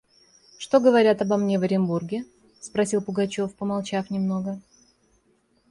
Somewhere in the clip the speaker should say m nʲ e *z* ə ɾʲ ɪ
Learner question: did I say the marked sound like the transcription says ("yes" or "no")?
no